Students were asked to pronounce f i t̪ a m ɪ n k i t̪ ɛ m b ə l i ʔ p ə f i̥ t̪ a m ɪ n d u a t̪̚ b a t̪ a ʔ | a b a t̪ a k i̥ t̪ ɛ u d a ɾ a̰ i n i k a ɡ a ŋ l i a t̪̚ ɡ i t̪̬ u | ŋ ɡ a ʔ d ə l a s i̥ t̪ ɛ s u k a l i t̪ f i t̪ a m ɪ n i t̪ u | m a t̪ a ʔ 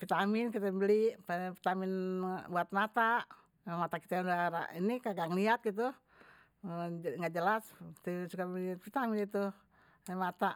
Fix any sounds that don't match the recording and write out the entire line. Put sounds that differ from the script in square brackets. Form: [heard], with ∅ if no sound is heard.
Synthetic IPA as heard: f i t̪ a m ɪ n k i t̪ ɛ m b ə l i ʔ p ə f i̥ t̪ a m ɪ n [b] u a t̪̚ [m] a t̪ a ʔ | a [m] a t̪ a k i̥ t̪ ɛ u d a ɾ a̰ i n i k a ɡ a ŋ l i a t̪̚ ɡ i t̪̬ u | ŋ ɡ a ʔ [d͡ʒ] ə l a s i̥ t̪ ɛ s u k a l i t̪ f i t̪ a m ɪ n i t̪ u | m a t̪ a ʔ